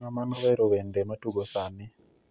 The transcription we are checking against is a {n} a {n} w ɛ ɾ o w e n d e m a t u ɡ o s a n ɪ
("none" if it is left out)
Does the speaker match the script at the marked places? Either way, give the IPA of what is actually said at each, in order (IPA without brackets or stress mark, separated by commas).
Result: m, n